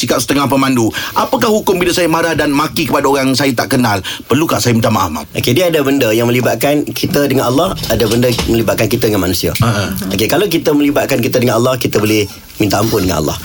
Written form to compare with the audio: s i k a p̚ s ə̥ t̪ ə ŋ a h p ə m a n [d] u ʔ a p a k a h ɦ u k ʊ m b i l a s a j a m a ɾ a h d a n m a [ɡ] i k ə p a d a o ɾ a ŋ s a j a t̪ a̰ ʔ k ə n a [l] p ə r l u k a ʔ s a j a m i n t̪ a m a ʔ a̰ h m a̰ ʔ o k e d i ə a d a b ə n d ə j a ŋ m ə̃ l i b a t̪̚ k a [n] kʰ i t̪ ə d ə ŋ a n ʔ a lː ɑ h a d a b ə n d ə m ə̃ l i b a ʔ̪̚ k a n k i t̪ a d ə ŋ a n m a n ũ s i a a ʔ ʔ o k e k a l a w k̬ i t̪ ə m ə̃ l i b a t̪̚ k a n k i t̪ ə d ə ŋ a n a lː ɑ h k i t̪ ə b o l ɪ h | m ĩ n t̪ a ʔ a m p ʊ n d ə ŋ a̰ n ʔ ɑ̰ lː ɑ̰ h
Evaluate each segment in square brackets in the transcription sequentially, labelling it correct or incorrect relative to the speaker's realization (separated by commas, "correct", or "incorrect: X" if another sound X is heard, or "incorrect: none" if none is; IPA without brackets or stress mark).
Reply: correct, incorrect: k, correct, correct